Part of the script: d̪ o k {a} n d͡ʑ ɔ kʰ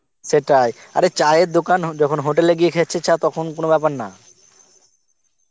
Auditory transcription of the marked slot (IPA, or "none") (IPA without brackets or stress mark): a